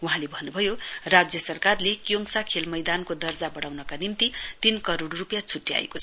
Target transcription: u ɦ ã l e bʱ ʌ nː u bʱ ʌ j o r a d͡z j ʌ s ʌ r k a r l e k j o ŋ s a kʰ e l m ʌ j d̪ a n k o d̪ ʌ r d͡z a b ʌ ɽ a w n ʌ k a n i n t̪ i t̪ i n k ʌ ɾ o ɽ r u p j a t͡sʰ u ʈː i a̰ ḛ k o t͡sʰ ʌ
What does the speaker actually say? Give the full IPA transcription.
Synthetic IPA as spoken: u ɦ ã l e bʱ ʌ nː u bʱ ʌ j o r a d͡z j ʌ s ʌ r k a r l e k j o ŋ s a kʰ e l m ʌ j d̪ a n k o d̪ ʌ r d͡z a b ʌ ɽ a w n ʌ k a n i m t̪ i t̪ i n k ʌ ɾ o ɽ r u p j a t͡sʰ u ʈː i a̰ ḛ k o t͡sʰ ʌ